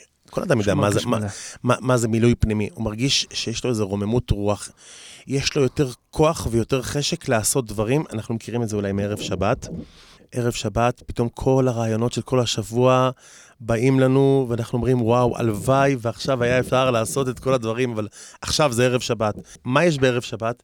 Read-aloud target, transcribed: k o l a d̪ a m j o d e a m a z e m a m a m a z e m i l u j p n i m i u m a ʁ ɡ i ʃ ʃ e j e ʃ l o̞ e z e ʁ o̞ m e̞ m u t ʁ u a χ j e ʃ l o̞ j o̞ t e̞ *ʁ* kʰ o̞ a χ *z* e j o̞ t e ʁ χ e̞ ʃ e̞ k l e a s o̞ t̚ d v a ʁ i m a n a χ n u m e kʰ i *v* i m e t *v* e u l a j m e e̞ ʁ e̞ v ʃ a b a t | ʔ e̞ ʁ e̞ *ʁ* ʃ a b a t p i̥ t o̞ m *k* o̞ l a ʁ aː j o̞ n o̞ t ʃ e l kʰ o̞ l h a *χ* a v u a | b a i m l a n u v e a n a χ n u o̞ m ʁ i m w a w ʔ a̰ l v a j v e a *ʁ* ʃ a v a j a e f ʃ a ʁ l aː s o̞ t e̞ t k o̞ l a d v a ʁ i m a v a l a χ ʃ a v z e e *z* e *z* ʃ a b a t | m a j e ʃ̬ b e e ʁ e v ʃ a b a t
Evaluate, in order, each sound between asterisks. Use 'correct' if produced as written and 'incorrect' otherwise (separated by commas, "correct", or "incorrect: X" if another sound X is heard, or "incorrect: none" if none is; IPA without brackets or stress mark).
correct, incorrect: v, incorrect: ʁ, incorrect: z, incorrect: v, incorrect: kʰ, incorrect: ʃ, incorrect: χ, incorrect: ʁ, incorrect: v